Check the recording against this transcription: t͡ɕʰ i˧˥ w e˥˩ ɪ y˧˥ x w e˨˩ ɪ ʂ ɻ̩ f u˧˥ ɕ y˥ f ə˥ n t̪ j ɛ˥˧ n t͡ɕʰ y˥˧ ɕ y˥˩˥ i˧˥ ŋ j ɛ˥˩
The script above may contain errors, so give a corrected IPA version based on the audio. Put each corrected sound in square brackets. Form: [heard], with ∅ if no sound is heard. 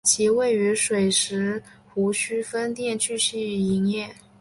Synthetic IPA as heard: t͡ɕʰ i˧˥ w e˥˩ ɪ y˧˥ [ʂ] w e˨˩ ɪ ʂ ɻ̩ [x] u˧˥ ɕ y˥ f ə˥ n t̪ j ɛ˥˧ n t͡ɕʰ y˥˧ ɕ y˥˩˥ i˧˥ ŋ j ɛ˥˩